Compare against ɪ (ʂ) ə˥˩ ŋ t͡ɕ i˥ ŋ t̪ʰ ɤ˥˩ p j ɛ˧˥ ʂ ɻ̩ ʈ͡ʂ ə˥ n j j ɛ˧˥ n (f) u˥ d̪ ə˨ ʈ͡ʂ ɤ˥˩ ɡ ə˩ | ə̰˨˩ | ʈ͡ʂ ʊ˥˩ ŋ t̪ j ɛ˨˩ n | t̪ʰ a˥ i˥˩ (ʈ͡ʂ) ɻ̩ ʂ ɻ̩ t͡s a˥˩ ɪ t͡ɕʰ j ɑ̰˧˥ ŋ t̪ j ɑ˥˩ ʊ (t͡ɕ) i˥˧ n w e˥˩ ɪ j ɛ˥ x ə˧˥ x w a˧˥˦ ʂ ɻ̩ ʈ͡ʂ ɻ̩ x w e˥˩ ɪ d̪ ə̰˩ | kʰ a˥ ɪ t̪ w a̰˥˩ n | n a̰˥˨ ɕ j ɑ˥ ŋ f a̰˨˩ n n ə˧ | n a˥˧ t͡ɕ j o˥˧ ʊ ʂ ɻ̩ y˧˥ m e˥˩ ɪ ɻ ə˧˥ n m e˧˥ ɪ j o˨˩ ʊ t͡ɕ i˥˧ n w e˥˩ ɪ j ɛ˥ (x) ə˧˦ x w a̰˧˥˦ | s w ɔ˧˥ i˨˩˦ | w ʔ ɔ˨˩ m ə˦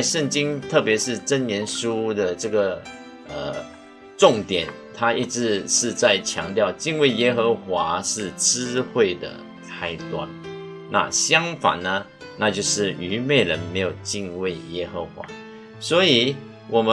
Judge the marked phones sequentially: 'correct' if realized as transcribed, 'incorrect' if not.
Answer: correct, incorrect, correct, correct, correct

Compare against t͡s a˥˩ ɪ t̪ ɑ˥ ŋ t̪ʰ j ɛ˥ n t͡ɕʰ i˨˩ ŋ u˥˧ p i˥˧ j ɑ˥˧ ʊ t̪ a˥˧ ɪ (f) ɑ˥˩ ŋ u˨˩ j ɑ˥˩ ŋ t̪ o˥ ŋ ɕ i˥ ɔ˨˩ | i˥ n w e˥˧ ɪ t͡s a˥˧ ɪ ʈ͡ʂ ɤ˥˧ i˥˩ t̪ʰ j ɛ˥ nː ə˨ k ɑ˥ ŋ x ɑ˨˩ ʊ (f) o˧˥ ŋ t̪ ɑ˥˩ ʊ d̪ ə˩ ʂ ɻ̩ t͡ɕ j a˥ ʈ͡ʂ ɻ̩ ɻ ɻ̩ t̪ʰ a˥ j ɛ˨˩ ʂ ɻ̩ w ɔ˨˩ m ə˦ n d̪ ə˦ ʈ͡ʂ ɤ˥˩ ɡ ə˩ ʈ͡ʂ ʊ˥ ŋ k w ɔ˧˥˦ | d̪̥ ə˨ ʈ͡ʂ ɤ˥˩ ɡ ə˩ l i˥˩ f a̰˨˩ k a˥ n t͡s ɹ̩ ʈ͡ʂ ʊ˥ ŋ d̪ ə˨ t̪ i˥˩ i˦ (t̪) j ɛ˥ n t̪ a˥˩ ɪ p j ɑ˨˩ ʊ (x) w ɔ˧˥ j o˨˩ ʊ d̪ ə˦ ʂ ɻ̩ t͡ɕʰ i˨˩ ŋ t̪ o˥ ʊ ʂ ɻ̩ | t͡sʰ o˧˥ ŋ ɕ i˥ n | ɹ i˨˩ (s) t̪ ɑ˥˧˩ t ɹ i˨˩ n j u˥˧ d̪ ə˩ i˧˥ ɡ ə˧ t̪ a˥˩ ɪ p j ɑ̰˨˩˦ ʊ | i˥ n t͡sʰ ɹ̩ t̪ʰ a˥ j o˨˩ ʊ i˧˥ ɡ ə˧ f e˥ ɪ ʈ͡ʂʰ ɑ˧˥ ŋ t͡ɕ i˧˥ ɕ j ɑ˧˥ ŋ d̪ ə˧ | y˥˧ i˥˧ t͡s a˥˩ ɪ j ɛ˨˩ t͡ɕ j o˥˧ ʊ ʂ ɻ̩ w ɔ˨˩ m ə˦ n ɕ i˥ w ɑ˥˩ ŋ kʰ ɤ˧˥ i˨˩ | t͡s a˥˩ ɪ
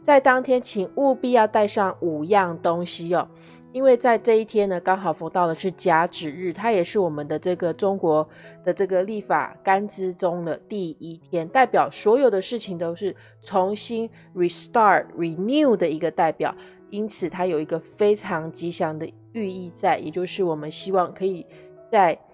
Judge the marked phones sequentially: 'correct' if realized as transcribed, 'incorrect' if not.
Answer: incorrect, correct, incorrect, incorrect, correct

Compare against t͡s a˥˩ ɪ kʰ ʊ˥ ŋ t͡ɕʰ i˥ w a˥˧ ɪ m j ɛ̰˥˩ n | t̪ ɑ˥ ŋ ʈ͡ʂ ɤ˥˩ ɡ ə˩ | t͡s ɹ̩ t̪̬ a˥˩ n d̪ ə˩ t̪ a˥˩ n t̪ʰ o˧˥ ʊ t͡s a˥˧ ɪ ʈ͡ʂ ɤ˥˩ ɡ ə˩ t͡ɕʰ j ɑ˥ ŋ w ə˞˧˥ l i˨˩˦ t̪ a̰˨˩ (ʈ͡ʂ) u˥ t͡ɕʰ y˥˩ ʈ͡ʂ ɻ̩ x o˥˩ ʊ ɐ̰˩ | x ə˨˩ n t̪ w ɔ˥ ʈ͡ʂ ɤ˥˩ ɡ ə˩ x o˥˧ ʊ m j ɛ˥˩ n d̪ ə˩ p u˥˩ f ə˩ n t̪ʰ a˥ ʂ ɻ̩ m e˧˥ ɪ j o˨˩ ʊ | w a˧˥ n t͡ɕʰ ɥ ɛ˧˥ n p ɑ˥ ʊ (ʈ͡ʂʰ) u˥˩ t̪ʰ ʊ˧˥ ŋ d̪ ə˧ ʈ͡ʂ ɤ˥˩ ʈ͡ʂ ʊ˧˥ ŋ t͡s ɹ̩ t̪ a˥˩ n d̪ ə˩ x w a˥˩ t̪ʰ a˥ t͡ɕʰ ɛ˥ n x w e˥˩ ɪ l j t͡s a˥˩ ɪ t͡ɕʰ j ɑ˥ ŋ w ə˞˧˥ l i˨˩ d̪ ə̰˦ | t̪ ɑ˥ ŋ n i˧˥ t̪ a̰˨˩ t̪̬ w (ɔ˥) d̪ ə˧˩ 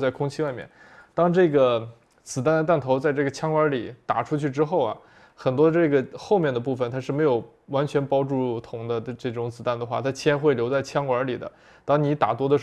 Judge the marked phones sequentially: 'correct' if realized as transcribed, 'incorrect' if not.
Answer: incorrect, incorrect, correct

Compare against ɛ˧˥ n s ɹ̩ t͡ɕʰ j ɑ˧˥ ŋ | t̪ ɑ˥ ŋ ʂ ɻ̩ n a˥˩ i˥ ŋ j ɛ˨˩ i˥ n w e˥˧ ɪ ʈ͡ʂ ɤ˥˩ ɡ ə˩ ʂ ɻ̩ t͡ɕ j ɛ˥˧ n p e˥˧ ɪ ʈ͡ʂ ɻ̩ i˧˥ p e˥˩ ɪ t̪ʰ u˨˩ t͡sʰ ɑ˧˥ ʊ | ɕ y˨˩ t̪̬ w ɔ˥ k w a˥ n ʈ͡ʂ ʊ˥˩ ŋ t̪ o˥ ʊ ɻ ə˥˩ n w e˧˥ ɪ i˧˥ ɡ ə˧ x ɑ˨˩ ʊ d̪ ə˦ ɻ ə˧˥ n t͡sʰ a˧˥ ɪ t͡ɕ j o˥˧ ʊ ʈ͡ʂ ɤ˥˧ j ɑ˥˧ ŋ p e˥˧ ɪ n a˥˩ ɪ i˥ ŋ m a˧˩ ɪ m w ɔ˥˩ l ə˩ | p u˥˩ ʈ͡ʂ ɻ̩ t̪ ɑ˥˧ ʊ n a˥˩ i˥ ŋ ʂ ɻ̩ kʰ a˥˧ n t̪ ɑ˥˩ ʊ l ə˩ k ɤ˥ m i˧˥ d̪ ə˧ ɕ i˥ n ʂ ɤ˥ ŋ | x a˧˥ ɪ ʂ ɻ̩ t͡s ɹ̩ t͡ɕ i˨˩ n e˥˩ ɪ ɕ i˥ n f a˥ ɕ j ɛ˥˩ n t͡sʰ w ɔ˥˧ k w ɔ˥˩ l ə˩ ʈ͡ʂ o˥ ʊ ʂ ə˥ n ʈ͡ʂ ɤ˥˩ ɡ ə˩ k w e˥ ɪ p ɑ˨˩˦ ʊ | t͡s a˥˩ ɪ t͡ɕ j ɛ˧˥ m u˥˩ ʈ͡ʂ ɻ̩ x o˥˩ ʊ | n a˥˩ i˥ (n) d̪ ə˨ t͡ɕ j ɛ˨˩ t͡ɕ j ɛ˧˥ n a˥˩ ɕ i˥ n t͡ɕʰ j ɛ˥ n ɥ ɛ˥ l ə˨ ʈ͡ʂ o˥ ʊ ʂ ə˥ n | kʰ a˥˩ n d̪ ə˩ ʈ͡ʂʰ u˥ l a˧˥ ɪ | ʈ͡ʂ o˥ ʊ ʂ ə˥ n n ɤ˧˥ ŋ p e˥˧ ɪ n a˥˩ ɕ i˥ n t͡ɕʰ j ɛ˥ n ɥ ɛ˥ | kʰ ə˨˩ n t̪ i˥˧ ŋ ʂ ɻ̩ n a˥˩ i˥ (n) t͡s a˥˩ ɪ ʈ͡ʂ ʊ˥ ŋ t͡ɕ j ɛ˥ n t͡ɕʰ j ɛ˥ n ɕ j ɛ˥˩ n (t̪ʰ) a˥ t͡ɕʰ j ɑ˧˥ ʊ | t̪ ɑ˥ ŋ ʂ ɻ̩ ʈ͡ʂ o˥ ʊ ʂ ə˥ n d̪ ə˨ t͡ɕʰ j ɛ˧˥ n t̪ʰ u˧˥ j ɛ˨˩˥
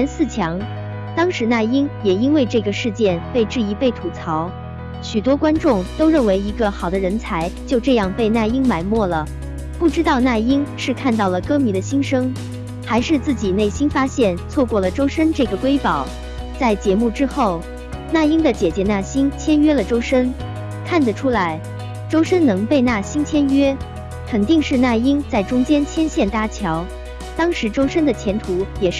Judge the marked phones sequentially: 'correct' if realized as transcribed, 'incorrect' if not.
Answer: incorrect, incorrect, incorrect

